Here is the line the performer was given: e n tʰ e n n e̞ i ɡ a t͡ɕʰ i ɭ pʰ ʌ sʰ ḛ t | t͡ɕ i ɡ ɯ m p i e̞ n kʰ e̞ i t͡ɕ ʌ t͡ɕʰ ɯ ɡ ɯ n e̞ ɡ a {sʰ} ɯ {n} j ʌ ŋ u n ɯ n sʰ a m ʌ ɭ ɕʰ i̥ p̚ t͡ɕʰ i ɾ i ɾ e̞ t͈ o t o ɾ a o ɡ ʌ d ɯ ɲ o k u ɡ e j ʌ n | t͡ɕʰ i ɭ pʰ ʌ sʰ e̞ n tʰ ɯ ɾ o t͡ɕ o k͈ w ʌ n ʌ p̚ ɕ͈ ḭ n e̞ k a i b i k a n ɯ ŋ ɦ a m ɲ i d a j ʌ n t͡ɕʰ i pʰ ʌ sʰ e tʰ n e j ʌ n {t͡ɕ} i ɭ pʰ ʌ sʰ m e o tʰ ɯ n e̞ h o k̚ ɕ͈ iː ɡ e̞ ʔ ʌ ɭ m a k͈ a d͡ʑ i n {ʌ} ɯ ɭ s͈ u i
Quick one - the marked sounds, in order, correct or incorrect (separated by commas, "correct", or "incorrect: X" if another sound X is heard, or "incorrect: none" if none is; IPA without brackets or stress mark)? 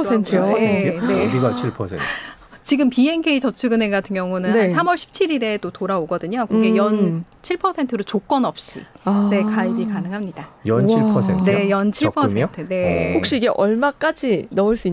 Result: incorrect: tʰ, incorrect: ŋ, incorrect: t͡ɕʰ, correct